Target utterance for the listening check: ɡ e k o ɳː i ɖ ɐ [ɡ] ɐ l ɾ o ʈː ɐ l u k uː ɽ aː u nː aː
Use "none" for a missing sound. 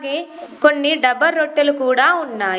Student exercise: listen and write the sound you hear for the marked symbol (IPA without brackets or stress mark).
b